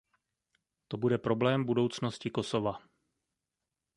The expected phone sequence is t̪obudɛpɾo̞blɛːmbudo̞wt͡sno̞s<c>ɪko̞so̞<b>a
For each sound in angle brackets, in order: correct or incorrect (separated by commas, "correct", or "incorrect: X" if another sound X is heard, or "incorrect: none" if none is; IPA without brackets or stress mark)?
correct, incorrect: v